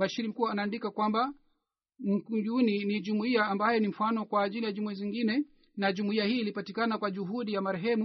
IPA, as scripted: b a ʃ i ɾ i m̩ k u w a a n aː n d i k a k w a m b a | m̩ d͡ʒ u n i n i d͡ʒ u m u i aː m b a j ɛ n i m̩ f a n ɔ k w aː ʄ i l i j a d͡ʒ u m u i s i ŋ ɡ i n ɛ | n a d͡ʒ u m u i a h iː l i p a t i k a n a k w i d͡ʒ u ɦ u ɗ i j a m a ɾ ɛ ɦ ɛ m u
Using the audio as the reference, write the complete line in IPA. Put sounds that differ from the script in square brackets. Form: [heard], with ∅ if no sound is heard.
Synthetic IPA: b a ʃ i ɾ i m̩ k u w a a n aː n d i k a k w a m b a | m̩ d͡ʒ u n i n i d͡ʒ u m u i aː m b a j ɛ n i m̩ f a n ɔ k w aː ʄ i l i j a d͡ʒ u m u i [z] i ŋ ɡ i n ɛ | n a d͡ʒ u m u i a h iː l i p a t i k a n a k w [a] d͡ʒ u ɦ u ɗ i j a m a ɾ ɛ ɦ ɛ m u